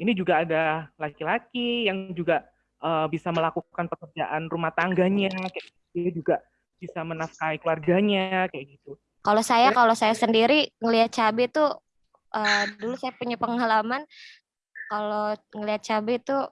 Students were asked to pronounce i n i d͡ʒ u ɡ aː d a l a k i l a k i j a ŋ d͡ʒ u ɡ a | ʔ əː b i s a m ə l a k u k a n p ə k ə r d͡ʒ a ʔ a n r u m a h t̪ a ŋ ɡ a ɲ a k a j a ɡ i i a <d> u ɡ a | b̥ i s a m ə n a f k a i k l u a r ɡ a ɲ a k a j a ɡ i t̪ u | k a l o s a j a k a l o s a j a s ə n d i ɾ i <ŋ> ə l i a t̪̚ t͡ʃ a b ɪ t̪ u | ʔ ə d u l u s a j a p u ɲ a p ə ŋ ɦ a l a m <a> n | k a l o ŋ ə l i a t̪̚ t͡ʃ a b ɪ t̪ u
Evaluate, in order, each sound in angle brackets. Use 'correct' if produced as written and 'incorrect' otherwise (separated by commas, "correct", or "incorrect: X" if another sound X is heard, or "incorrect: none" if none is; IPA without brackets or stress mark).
incorrect: d͡ʒ, correct, correct